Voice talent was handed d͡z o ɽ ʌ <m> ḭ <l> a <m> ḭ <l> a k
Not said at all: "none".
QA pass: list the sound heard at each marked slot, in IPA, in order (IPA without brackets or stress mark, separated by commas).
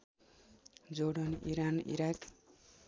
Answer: n, ɾ, n, ɾ